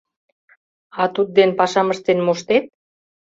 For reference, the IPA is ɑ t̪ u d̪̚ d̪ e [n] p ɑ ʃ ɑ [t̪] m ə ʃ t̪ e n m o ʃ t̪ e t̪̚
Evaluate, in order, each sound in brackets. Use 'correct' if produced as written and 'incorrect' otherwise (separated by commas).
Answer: correct, incorrect